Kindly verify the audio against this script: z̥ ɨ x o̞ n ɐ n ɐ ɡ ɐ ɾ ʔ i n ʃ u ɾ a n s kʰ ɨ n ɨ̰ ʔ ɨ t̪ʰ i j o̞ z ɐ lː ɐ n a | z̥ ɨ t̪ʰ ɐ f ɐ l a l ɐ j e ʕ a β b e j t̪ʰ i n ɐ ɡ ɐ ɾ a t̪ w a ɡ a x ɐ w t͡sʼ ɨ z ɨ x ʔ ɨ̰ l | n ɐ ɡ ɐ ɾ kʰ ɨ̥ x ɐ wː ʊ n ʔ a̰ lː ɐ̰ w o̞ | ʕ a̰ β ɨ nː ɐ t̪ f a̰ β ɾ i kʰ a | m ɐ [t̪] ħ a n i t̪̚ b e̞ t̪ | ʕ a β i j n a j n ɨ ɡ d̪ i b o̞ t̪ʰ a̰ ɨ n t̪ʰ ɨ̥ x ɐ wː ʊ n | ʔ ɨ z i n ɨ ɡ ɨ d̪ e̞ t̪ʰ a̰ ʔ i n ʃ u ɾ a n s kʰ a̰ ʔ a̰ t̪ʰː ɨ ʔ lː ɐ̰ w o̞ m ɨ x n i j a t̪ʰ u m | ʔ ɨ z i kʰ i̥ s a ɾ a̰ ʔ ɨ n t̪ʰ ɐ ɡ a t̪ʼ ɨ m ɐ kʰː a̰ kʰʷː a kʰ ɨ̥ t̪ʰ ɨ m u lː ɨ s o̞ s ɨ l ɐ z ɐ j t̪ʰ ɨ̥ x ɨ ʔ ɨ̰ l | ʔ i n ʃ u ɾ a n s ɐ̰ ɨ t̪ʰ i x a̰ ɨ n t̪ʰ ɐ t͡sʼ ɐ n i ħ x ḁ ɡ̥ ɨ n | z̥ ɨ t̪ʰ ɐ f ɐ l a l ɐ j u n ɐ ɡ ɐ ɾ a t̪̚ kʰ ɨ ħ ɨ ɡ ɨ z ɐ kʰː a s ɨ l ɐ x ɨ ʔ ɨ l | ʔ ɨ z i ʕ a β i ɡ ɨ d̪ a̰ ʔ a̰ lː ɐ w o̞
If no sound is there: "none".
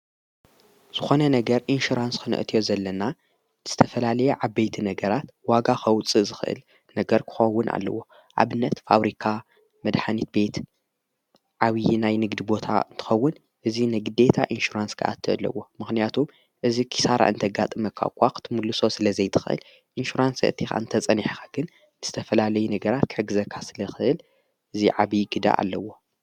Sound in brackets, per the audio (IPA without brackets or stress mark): d̪